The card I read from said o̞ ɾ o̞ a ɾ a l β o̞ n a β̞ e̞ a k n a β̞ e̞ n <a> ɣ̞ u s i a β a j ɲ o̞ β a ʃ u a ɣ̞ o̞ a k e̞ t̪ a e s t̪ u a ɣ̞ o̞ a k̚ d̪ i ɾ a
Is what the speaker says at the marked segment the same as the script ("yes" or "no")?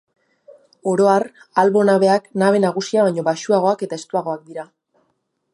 yes